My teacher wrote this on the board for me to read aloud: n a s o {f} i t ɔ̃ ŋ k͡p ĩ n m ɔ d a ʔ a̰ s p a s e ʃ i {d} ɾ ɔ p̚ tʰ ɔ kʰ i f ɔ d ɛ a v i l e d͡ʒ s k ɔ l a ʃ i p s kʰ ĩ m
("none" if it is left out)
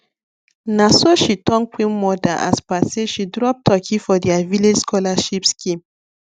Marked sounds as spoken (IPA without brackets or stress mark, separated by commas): ʃ, d